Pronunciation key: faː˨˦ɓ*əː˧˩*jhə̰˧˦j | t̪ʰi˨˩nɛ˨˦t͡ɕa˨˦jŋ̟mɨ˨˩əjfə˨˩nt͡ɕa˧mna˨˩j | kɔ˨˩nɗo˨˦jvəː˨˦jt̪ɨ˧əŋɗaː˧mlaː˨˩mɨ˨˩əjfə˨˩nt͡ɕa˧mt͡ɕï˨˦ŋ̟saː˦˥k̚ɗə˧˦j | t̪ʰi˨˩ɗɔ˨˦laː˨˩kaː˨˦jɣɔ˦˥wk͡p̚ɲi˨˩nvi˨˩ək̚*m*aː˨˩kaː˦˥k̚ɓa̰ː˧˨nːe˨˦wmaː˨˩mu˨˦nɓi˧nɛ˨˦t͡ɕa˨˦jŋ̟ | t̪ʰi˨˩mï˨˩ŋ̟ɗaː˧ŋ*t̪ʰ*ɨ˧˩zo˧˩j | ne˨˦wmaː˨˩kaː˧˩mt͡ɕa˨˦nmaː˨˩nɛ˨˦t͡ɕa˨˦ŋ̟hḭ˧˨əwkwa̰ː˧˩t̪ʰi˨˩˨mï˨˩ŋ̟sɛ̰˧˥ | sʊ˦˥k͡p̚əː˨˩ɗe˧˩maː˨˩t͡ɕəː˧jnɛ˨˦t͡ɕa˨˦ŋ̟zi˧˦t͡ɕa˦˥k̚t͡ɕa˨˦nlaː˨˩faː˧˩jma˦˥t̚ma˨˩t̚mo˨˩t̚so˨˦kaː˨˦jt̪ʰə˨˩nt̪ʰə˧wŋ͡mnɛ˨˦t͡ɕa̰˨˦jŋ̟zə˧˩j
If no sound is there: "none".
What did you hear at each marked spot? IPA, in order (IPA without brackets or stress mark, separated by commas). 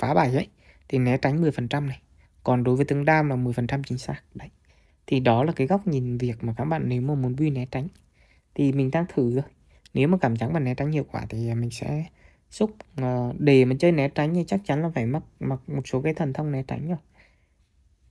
aː˧˩, m, t̪ʰ